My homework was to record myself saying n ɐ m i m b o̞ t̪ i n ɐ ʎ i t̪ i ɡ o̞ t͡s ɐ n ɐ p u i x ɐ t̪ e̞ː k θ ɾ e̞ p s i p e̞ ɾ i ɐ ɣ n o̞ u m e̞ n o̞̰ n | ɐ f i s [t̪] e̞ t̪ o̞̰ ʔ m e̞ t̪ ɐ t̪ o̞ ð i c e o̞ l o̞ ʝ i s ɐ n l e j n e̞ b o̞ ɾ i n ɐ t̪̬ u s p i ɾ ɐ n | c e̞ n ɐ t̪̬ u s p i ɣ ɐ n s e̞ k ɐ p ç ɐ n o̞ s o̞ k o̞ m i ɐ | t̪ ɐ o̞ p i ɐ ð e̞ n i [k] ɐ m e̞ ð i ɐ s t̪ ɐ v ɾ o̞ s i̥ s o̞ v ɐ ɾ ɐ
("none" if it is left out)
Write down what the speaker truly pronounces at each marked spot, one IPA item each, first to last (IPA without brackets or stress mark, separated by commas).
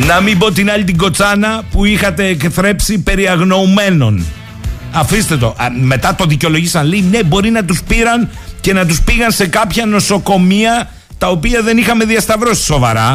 t̪, x